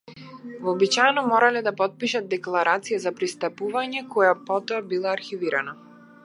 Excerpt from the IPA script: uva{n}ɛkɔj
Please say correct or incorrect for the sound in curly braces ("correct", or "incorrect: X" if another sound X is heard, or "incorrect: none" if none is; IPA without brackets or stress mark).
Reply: incorrect: ɲ